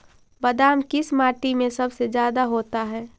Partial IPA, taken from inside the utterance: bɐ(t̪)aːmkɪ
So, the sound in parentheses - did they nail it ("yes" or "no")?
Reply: no